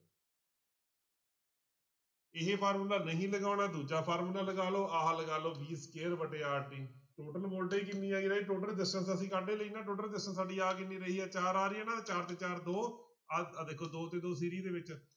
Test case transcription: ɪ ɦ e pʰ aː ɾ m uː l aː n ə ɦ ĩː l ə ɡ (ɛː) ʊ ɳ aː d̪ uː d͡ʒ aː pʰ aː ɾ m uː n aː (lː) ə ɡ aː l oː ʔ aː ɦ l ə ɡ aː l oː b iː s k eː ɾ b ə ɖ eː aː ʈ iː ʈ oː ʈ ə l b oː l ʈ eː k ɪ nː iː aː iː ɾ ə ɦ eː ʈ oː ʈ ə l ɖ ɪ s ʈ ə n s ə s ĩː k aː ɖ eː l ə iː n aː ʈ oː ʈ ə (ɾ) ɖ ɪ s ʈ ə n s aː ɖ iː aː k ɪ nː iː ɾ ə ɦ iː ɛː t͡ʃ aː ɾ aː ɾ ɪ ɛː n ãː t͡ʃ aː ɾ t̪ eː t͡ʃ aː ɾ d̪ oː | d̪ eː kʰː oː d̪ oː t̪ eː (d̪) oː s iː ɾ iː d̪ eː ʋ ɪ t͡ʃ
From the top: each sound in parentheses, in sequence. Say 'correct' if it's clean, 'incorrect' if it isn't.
incorrect, incorrect, incorrect, correct

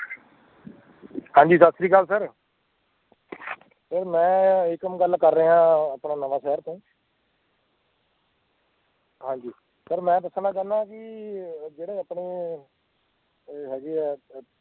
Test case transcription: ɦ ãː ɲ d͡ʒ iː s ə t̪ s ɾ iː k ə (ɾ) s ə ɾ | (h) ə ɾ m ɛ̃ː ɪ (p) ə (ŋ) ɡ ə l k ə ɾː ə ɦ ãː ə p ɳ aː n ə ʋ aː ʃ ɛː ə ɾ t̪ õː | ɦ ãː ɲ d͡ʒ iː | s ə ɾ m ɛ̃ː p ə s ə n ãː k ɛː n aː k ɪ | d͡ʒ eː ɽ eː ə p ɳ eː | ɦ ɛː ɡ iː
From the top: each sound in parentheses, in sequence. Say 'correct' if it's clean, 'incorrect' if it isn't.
incorrect, incorrect, incorrect, incorrect

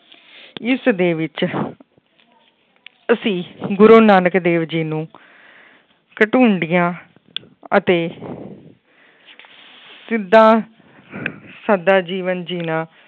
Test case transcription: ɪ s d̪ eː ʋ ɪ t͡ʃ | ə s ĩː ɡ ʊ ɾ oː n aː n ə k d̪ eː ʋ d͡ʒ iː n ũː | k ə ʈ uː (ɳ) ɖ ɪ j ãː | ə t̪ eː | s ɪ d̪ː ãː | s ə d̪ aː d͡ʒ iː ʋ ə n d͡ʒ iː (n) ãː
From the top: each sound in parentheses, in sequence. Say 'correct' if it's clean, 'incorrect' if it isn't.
correct, correct

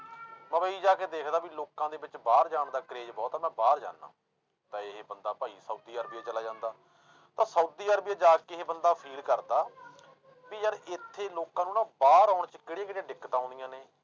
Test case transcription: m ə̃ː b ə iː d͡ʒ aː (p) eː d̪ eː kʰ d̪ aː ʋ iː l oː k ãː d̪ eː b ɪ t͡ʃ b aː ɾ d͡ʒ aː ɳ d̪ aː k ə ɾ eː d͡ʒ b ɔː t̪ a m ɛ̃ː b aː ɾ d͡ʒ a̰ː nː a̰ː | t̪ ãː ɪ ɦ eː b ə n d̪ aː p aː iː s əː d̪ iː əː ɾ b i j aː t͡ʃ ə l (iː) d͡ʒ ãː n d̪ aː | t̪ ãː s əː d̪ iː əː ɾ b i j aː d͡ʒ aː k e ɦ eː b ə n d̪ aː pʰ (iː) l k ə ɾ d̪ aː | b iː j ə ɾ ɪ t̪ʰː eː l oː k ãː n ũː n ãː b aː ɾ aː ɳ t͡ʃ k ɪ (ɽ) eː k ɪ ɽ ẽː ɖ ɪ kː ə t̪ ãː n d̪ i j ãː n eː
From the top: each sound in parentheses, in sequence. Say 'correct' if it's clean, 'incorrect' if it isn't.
incorrect, incorrect, correct, correct

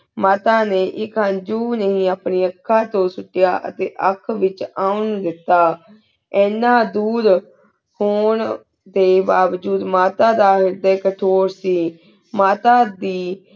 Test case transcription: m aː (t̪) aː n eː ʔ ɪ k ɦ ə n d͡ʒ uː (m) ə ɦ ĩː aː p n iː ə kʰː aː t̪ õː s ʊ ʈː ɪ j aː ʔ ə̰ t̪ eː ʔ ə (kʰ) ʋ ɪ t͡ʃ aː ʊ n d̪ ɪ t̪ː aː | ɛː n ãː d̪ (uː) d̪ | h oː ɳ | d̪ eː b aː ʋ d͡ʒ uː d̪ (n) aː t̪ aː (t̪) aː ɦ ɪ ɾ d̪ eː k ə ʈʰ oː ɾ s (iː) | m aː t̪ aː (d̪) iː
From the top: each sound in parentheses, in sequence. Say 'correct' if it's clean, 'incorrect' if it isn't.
correct, incorrect, correct, correct, incorrect, incorrect, correct, correct

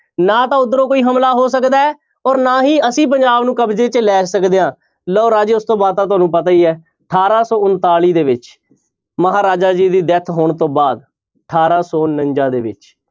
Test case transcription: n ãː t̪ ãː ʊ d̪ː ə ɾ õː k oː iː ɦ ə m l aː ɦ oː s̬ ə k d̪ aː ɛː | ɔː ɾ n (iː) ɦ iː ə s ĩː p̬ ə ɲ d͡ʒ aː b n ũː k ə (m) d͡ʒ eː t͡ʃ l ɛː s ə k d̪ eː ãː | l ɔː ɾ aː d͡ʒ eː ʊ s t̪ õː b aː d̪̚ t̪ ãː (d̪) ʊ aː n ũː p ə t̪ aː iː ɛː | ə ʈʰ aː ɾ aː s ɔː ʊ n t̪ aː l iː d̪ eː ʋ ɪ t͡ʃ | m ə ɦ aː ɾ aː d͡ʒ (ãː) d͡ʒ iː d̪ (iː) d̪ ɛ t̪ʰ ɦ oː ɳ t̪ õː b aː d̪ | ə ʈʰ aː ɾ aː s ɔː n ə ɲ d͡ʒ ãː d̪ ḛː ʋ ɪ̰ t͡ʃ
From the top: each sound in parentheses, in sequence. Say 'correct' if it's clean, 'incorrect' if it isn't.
incorrect, incorrect, incorrect, incorrect, correct

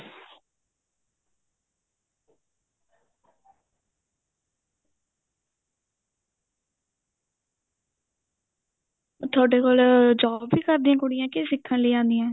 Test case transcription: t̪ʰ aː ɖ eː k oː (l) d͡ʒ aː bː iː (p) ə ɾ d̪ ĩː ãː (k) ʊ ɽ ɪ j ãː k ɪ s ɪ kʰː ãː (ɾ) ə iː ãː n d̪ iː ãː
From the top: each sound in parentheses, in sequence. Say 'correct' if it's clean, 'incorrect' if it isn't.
correct, incorrect, correct, incorrect

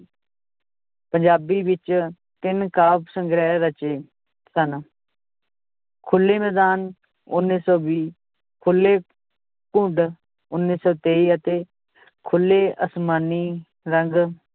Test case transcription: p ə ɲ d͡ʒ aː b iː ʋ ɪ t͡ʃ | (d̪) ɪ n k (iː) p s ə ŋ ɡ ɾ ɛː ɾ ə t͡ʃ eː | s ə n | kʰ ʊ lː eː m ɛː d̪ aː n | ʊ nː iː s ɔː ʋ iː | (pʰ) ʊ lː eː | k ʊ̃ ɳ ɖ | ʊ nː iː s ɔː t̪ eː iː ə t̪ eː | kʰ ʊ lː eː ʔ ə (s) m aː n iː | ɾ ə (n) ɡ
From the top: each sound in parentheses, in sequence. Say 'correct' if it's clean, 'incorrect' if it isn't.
incorrect, incorrect, incorrect, correct, incorrect

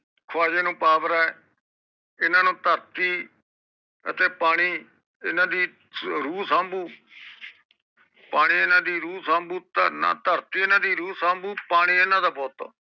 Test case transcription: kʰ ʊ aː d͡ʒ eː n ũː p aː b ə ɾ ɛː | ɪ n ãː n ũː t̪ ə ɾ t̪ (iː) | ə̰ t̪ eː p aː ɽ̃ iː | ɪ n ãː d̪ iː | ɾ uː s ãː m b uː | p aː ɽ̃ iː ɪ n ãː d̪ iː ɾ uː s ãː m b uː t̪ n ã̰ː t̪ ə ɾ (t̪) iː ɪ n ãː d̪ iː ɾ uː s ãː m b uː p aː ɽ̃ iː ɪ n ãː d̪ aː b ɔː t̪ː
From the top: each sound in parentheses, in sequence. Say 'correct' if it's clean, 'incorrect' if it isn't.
correct, correct

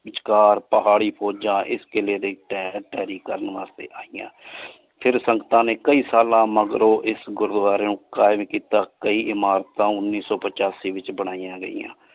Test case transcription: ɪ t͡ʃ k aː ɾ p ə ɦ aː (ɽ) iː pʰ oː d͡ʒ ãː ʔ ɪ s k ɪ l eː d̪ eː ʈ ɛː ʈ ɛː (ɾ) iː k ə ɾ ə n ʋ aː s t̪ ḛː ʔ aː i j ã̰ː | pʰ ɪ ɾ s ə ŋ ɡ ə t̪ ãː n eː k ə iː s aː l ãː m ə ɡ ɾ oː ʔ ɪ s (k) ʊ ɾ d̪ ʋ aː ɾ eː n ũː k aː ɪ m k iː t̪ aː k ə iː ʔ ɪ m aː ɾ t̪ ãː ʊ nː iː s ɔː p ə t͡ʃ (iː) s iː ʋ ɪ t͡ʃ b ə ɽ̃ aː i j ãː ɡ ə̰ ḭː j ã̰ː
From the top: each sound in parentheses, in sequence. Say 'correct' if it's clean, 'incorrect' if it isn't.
correct, correct, incorrect, incorrect

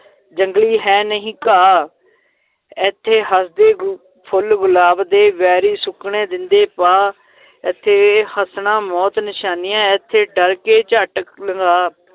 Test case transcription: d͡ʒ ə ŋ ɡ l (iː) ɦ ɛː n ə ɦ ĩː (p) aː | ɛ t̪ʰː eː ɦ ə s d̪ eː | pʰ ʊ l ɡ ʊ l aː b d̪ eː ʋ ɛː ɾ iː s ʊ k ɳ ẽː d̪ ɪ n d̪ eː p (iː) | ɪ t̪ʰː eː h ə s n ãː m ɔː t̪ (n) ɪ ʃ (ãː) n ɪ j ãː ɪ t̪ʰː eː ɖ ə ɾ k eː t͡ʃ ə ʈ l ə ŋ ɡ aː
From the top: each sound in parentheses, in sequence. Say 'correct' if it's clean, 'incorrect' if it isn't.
correct, incorrect, incorrect, correct, incorrect

